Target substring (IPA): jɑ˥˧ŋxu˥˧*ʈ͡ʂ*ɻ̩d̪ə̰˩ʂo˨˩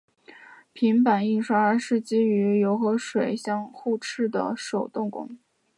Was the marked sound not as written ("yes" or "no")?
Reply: yes